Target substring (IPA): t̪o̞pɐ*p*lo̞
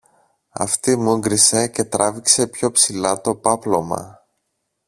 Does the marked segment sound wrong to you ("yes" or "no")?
no